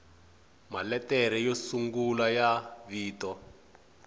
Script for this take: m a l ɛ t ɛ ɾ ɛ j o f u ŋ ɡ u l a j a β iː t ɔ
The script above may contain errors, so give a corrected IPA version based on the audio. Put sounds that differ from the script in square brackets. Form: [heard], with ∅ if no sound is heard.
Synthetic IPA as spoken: m a l ɛ t ɛ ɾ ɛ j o [s] u ŋ ɡ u l a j a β iː t ɔ